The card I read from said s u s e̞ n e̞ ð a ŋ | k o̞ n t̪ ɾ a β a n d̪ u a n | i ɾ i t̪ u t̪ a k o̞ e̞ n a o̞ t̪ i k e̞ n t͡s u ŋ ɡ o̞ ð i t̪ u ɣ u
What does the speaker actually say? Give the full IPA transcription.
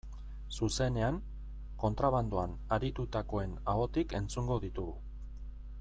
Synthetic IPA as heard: s u s e̞ n e̞ a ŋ | k o̞ n t̪ ɾ a β a n d̪ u a n | a ɾ i t̪ u t̪ a k o̞ e̞ n a o̞ t̪ i k e̞ n t͡s u ŋ ɡ o̞ ð i t̪ u ɣ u